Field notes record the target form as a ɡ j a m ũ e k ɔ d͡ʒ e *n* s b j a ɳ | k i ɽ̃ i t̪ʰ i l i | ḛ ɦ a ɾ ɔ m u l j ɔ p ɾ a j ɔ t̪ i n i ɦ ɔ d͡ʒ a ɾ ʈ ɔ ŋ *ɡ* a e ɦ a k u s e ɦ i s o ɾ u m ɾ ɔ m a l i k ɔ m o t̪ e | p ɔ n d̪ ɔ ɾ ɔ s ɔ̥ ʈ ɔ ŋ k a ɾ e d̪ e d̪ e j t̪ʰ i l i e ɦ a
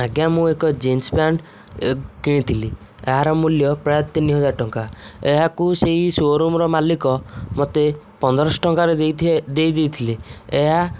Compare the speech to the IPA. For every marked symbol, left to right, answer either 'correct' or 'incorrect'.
correct, incorrect

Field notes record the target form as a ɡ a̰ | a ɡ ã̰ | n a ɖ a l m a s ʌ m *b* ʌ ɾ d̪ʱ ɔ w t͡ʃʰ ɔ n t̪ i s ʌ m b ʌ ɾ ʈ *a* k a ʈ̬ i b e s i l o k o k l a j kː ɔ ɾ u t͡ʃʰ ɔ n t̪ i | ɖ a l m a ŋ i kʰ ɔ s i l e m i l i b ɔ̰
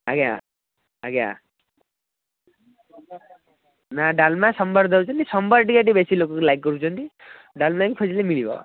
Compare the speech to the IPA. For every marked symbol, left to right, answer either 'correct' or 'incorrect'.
correct, incorrect

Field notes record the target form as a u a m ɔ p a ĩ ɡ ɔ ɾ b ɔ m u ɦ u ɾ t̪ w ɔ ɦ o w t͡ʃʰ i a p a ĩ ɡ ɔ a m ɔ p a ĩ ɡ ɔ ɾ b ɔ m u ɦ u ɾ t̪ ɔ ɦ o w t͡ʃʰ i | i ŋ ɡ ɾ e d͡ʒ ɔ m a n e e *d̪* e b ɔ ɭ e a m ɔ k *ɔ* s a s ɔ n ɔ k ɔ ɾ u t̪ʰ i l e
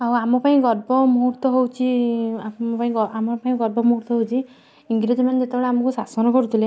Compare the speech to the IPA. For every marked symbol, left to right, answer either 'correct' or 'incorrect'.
incorrect, incorrect

